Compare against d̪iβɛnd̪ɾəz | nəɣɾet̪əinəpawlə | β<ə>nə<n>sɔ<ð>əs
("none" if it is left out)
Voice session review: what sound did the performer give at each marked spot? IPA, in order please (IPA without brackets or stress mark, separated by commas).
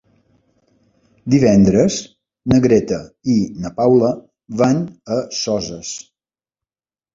a, none, z